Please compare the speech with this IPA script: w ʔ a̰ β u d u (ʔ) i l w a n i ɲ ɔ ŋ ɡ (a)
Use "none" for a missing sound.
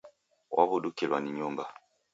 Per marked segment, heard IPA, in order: k, a

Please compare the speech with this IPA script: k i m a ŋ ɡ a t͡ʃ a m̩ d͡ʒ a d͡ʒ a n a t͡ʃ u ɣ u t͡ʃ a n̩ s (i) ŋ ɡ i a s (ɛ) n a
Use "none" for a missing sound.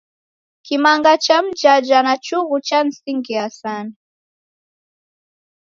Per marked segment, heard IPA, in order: i, a

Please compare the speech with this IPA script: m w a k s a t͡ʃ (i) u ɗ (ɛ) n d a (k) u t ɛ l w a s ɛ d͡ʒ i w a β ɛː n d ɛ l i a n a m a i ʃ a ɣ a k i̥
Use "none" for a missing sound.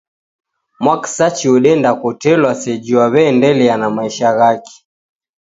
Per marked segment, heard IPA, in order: i, ɛ, k

